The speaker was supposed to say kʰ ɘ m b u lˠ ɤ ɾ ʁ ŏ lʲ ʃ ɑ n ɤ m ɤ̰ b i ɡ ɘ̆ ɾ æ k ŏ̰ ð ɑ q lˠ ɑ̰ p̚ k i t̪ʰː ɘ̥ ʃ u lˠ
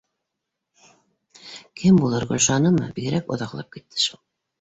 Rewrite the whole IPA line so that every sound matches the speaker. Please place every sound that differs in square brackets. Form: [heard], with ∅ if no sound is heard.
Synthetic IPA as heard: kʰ ɘ m b u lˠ ɤ ɾ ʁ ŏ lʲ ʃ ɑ n ɤ m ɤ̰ b i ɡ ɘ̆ ɾ æ k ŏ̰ ð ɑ q lˠ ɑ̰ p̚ k i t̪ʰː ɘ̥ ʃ u lˠ